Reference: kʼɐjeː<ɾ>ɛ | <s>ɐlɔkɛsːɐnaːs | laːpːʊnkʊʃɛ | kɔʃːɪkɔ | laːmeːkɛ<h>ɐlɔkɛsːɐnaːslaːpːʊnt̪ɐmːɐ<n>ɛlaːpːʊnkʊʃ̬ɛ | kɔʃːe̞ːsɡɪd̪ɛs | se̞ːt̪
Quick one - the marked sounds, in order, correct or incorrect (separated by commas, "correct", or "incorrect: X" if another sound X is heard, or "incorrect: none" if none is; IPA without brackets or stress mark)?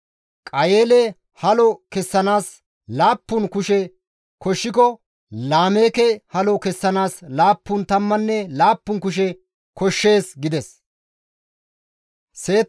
incorrect: l, incorrect: h, correct, incorrect: nː